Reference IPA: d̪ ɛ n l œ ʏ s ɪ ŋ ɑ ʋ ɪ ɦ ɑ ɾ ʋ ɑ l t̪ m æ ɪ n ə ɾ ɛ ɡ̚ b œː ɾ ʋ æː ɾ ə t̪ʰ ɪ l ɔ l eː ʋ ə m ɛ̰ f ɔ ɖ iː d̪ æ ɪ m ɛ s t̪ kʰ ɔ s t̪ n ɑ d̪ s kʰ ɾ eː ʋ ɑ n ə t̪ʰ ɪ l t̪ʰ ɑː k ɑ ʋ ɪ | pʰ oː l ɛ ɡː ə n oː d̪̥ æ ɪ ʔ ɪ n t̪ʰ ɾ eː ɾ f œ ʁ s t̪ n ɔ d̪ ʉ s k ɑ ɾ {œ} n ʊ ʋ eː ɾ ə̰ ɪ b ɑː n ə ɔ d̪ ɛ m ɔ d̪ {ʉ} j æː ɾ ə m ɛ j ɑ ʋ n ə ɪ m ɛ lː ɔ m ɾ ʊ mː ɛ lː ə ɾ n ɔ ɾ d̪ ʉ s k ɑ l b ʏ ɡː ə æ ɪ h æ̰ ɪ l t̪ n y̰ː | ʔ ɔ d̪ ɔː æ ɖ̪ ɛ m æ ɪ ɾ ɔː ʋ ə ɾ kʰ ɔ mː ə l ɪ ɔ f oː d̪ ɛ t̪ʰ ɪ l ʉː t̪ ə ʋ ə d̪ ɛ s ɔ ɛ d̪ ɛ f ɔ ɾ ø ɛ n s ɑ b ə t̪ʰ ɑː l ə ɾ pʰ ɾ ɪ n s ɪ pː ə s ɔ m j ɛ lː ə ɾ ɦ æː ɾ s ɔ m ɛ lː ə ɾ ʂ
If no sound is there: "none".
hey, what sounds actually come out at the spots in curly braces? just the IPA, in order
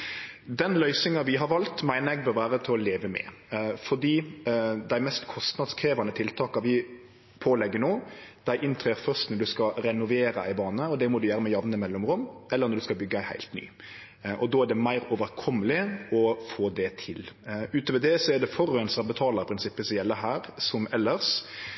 ɛ, ʉ

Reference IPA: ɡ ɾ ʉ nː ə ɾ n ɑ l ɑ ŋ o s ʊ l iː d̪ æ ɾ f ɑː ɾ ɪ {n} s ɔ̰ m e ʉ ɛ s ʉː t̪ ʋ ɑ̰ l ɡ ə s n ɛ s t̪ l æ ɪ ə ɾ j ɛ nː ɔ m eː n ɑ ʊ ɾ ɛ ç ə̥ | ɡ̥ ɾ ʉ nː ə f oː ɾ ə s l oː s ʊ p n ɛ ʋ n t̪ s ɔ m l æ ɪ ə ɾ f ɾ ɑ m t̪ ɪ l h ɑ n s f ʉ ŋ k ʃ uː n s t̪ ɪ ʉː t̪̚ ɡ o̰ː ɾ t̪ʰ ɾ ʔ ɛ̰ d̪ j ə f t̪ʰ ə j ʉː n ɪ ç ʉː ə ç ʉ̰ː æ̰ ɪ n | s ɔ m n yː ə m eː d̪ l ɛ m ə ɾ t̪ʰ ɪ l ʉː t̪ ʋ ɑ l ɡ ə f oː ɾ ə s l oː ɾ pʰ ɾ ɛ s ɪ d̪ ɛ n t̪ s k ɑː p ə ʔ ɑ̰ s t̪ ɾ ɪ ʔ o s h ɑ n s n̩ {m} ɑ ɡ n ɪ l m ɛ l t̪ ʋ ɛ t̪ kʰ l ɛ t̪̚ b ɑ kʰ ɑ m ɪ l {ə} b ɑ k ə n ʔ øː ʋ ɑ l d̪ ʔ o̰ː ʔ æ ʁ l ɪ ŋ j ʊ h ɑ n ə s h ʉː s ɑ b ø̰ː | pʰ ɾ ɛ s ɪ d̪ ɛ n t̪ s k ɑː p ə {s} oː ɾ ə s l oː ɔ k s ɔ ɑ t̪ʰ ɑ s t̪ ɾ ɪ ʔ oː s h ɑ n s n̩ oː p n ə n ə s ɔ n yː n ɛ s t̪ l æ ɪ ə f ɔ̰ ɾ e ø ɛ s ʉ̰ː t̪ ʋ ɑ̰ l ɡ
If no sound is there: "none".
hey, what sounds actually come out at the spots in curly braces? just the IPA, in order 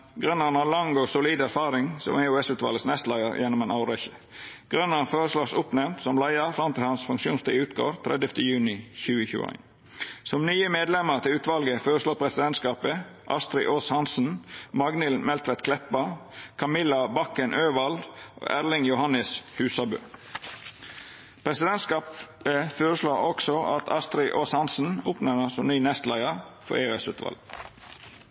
ŋ, m, ɑ, f

